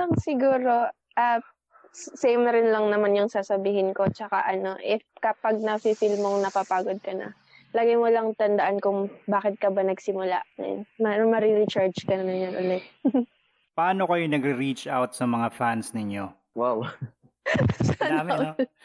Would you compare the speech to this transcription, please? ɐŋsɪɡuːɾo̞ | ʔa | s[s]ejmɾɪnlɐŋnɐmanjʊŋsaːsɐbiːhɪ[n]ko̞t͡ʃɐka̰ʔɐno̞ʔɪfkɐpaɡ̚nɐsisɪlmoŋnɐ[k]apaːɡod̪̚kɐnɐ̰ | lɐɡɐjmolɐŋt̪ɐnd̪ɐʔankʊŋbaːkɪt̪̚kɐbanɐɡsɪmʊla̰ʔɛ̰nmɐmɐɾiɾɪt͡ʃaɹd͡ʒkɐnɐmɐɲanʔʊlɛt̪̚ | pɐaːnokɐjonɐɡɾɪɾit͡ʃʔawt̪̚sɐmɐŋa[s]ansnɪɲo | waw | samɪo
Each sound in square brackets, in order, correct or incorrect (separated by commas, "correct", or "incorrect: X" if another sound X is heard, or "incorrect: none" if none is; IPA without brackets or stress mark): correct, correct, incorrect: p, incorrect: f